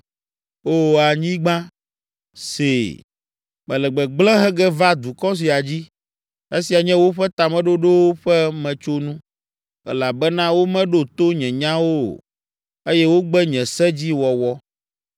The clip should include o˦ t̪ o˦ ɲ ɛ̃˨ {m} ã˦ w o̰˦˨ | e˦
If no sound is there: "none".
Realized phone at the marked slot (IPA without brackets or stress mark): ɲ